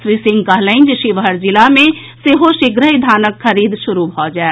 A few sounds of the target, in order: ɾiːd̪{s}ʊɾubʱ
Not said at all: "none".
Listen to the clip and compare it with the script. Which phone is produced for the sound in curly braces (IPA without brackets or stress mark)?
ʃ